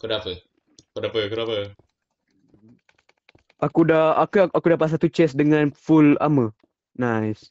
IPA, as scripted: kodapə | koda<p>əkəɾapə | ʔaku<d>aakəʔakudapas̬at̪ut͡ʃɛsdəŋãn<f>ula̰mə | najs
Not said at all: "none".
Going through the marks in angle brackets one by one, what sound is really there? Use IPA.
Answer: p, d, f

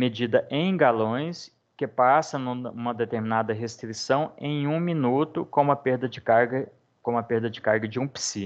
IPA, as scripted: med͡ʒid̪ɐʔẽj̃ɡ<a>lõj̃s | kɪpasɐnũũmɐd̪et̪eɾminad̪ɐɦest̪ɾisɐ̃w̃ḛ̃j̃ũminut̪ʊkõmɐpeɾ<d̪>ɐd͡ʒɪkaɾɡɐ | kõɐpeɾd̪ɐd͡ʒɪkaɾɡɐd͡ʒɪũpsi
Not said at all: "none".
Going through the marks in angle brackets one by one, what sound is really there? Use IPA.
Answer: a, d̪

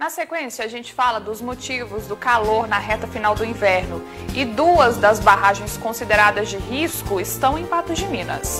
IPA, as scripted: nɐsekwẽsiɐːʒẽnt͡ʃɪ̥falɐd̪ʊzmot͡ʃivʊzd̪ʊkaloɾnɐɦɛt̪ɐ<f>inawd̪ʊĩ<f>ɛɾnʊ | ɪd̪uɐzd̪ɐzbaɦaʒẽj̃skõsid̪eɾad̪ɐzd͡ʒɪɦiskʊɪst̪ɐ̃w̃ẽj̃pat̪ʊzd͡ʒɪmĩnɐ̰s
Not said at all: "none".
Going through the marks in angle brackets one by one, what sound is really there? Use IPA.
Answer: f, v

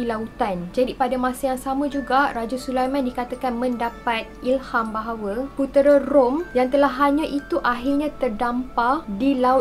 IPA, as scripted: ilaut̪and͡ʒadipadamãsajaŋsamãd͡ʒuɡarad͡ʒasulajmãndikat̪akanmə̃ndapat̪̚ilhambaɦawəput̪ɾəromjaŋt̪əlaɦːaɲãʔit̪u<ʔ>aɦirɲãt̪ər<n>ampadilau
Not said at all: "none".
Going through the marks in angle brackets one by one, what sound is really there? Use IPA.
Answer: ʔ, d

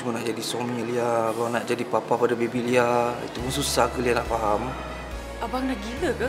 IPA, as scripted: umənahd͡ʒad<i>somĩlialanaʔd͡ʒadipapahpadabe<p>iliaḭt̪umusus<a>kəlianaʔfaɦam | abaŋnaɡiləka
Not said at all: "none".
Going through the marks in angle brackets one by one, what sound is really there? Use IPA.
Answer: i, b, a

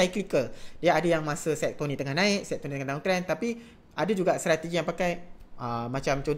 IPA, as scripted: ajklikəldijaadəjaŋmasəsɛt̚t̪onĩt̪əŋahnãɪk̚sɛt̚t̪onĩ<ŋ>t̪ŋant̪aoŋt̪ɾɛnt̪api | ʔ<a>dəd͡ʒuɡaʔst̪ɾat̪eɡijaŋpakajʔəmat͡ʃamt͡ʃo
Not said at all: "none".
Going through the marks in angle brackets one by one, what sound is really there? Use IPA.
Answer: none, a

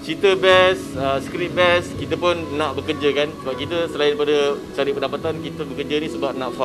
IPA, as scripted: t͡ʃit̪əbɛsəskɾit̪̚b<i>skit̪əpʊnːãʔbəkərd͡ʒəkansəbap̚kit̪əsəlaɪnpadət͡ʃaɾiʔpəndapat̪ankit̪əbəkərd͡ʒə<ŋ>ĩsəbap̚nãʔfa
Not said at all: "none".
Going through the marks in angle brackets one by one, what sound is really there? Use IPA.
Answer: ɛ, n

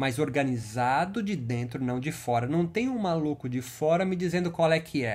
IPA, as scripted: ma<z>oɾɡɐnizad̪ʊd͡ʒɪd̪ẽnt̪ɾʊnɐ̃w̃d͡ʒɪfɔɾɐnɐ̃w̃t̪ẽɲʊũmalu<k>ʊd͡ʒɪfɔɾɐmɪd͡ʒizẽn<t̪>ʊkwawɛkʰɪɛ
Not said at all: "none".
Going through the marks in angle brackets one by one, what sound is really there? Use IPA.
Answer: z, k, d̪

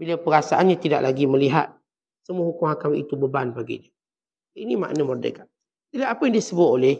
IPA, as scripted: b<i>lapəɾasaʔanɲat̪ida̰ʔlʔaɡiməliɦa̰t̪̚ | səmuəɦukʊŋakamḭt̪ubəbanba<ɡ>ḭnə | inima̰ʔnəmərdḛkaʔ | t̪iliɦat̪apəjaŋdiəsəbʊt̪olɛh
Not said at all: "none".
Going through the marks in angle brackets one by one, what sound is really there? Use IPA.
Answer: i, ɡ

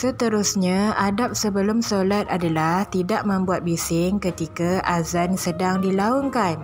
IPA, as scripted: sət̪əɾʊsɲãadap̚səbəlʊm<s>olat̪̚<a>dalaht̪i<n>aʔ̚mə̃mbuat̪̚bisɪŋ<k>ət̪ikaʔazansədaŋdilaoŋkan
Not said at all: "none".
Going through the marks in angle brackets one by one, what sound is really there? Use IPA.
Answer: s, a, d, k

